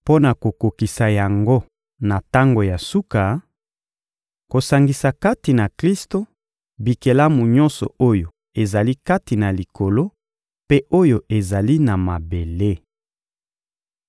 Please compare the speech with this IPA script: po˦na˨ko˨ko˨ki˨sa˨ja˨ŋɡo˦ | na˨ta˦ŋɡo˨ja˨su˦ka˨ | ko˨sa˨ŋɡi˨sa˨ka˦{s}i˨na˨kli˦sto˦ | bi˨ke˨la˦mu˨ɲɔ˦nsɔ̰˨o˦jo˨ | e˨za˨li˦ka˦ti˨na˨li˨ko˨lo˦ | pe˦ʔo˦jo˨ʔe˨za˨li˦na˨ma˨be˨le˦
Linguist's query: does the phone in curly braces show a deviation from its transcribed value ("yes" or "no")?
yes